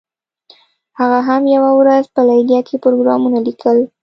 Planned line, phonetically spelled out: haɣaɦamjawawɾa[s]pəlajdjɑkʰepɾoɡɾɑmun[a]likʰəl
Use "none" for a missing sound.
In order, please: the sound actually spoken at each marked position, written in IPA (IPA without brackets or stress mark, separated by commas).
z, a